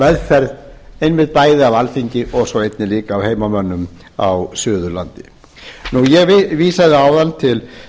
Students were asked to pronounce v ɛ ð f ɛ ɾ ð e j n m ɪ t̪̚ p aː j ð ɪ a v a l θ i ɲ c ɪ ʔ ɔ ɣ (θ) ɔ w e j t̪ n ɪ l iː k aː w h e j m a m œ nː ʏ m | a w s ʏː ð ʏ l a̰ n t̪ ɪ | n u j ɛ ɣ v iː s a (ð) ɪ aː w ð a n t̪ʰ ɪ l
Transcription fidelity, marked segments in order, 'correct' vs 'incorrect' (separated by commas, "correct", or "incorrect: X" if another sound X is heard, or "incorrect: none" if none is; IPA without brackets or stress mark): incorrect: s, correct